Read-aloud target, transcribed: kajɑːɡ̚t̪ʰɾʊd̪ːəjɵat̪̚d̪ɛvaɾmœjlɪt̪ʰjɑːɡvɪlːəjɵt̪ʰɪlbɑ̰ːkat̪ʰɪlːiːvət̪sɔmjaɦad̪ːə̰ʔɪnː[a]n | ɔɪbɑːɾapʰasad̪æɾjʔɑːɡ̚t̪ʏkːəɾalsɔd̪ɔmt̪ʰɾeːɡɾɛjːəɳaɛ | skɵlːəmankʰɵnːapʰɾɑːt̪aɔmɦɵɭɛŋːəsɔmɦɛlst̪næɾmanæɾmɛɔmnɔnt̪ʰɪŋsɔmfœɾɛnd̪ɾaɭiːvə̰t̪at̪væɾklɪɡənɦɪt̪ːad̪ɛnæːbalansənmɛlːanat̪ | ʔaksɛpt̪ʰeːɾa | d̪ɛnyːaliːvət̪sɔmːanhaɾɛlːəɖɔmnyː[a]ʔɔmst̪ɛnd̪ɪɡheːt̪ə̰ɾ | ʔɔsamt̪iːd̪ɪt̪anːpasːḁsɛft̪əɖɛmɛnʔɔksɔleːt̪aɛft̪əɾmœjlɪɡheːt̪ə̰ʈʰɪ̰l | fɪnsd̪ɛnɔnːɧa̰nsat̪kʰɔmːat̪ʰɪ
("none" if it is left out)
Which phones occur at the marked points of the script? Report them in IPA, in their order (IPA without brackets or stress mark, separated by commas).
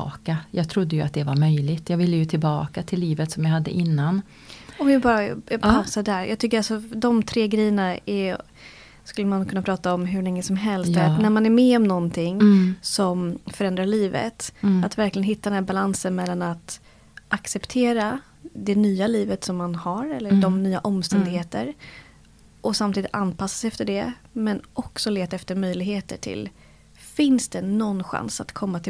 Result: a, a